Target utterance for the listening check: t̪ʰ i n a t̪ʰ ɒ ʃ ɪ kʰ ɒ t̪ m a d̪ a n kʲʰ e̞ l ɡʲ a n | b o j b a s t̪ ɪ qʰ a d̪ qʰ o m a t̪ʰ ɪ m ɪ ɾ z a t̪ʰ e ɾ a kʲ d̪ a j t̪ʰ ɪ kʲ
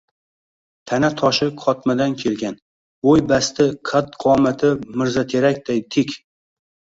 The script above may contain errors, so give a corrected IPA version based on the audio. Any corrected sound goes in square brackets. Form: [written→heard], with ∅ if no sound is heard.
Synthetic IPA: t̪ʰ [i→a] n a t̪ʰ ɒ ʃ ɪ [kʰ→qʰ] ɒ t̪ m a d̪ a n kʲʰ e̞ l ɡʲ a n | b o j b a s t̪ ɪ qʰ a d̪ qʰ [o→ɒ] m a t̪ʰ ɪ m ɪ ɾ z a t̪ʰ e ɾ a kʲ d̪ a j t̪ʰ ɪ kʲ